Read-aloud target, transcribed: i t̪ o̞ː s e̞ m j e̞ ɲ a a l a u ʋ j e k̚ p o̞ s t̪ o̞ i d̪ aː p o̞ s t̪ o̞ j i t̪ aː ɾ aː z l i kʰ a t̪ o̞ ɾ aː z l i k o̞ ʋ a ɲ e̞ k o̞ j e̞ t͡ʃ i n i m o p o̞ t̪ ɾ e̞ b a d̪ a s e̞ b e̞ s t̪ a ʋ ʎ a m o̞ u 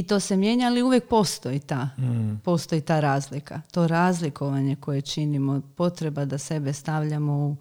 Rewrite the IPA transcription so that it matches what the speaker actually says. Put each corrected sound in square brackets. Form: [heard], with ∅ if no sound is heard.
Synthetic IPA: i t̪ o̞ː s e̞ m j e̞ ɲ a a l [i] u ʋ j e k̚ p o̞ s t̪ o̞ i [t̪] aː p o̞ s t̪ o̞ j i t̪ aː ɾ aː z l i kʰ a t̪ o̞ ɾ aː z l i k o̞ ʋ a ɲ e̞ k o̞ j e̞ t͡ʃ i n i m o p o̞ t̪ ɾ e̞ b a d̪ a s e̞ b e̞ s t̪ a ʋ ʎ a m o̞ u